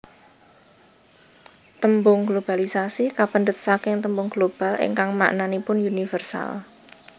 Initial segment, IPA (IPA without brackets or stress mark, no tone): t̪